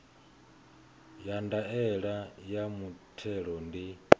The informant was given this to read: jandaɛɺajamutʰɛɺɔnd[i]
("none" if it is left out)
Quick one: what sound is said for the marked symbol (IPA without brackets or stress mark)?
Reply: i